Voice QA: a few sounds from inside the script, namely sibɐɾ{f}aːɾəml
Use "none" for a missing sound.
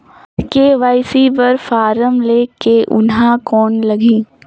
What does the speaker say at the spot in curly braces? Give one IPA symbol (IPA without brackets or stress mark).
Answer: f